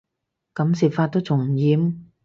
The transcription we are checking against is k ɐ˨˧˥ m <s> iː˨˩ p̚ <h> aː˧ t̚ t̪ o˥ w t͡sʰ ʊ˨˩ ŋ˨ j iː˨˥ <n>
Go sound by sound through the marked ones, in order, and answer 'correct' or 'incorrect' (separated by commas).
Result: correct, incorrect, incorrect